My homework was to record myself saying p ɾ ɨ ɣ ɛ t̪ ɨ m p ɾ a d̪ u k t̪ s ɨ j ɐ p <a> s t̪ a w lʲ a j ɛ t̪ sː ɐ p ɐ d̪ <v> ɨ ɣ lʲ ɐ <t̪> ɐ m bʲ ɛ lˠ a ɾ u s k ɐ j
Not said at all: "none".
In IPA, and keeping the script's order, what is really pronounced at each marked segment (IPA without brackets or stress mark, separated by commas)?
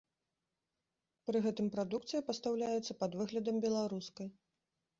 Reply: ɐ, v, d̪